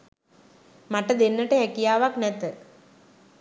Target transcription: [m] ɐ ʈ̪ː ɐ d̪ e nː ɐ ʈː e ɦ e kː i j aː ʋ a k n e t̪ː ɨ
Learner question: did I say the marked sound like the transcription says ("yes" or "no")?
yes